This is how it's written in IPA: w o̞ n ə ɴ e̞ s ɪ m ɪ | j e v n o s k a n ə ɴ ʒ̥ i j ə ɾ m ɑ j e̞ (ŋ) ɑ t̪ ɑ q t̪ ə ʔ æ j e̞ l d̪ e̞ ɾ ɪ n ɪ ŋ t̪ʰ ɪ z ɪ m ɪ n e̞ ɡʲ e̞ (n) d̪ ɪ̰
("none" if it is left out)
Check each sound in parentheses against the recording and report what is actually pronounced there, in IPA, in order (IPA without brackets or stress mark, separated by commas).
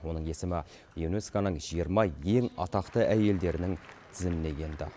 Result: ŋ, n